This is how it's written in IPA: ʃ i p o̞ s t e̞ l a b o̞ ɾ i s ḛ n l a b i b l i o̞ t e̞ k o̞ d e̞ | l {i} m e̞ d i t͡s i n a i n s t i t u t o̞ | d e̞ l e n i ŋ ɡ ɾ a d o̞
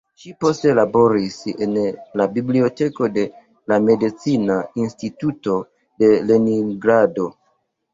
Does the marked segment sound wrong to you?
yes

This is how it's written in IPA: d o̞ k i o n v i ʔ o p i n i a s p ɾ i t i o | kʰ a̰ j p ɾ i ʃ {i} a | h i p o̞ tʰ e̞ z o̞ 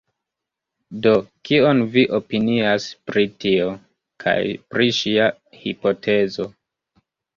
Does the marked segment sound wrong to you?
no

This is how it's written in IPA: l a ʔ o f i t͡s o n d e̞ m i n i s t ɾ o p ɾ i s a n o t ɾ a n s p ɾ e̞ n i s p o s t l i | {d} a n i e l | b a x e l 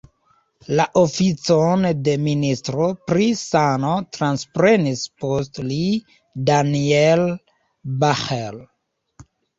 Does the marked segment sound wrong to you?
no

